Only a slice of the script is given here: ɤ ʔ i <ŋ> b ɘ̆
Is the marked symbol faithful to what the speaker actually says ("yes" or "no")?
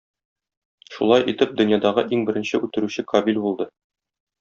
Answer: yes